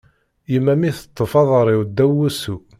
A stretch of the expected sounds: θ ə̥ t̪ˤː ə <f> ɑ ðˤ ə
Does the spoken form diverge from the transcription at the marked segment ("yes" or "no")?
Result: no